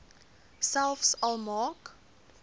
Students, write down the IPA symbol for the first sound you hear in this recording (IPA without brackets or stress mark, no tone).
s